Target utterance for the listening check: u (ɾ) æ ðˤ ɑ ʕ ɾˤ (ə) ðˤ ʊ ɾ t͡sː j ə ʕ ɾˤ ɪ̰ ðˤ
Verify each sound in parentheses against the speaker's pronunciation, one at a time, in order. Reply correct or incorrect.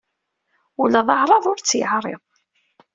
incorrect: l, incorrect: ɑ

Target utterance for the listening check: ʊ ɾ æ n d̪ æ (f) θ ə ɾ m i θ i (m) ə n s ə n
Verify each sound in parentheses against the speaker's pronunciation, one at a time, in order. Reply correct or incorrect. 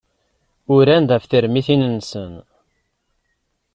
correct, incorrect: n

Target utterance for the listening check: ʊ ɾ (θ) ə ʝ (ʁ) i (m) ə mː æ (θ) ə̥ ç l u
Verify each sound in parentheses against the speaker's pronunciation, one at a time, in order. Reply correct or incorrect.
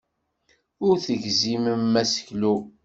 correct, incorrect: z, correct, incorrect: s

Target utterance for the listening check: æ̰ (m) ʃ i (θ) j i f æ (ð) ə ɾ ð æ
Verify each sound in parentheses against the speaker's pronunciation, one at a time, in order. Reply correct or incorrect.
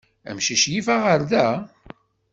correct, incorrect: ʃ, incorrect: ʁ

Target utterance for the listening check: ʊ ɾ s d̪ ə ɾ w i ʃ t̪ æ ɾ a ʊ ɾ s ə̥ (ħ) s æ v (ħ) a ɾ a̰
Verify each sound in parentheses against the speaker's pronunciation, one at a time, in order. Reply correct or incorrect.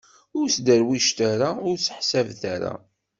correct, incorrect: θ

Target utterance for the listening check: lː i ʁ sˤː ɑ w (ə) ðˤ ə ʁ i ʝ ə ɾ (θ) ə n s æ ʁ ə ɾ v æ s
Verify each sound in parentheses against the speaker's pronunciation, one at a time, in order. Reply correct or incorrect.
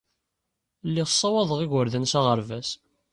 incorrect: ɑ, incorrect: ð

